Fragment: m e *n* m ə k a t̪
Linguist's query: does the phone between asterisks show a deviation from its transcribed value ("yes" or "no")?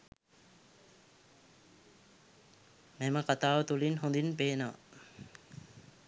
yes